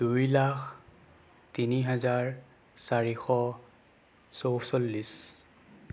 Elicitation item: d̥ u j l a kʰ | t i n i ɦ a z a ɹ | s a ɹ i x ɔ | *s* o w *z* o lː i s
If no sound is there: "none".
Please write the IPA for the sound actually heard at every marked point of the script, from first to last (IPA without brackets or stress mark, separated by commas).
s, s